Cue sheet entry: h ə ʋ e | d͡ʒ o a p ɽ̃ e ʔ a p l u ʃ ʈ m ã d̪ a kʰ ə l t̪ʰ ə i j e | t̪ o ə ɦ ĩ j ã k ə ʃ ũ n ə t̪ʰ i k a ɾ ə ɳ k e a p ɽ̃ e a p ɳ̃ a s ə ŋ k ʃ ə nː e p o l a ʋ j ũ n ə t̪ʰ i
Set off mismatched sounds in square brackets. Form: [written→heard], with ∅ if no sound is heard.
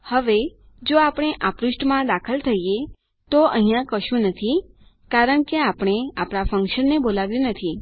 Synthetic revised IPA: h ə ʋ e | d͡ʒ o a p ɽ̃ e ʔ a p [l→ɾ] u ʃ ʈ m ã d̪ a kʰ ə l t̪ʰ ə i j e | t̪ o ə ɦ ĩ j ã k ə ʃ ũ n ə t̪ʰ i k a ɾ ə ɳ k e a p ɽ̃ e a p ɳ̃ a [s→f] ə ŋ k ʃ ə nː e [p→b] o l a ʋ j ũ n ə t̪ʰ i